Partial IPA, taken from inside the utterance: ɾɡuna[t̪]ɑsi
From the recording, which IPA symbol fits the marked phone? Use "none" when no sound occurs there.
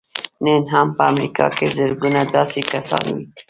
d̪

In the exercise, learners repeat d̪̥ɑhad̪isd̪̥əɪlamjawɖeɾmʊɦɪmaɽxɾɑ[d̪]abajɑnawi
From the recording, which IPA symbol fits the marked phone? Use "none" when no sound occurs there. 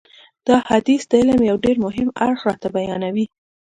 t̪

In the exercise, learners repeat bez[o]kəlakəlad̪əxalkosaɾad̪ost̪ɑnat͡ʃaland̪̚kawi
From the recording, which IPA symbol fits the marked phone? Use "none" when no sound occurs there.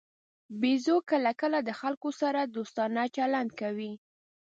o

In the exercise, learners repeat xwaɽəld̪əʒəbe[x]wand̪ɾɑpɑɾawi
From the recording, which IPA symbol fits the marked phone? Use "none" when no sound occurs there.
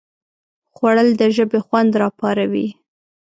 x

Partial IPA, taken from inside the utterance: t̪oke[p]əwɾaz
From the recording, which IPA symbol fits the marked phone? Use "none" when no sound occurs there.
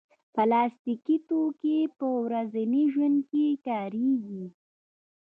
p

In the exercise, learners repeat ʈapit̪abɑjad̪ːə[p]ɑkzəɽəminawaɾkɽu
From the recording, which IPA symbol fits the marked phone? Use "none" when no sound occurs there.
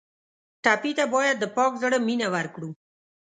p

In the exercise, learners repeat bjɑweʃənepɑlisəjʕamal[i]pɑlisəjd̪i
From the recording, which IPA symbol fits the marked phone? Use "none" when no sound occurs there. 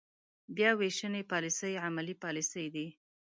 i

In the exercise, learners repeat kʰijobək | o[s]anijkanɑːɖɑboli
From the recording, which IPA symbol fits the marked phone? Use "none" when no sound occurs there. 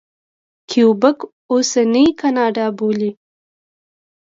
s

